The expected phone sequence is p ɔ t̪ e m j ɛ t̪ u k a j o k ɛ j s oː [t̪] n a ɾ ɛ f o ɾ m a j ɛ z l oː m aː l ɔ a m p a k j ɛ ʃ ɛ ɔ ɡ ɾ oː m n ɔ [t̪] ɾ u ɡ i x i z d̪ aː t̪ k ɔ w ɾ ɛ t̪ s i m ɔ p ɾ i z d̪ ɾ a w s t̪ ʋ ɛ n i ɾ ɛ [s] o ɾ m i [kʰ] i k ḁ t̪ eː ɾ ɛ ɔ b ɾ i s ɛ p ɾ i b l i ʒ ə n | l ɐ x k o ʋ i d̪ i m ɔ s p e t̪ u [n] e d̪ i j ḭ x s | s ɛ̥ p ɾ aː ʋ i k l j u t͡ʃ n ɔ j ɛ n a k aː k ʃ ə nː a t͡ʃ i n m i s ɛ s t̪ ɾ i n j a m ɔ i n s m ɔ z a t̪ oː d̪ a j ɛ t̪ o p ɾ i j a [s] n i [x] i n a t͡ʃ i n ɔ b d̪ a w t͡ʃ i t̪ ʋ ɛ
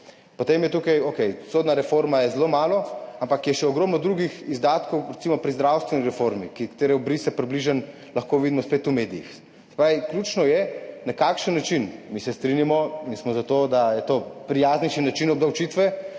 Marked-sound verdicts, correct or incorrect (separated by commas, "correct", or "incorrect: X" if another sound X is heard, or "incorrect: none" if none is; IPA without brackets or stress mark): incorrect: d̪, incorrect: d̪, incorrect: f, incorrect: k, incorrect: m, incorrect: z, incorrect: ʃ